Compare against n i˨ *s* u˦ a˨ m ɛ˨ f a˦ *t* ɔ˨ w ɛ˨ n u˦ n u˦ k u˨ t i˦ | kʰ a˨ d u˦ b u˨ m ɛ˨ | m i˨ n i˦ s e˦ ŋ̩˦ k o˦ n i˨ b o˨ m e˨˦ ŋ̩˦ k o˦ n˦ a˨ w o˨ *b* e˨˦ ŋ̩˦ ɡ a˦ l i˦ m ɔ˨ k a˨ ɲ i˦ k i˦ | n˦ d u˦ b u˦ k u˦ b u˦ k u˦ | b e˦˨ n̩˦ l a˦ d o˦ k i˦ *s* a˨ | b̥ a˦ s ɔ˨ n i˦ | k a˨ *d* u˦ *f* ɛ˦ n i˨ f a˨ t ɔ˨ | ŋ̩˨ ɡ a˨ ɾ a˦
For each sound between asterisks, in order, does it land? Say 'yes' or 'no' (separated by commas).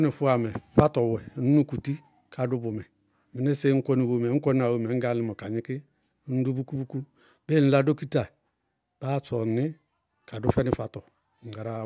no, yes, no, no, yes, yes